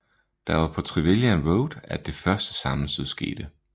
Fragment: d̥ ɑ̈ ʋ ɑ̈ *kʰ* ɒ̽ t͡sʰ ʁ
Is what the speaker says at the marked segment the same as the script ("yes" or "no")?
no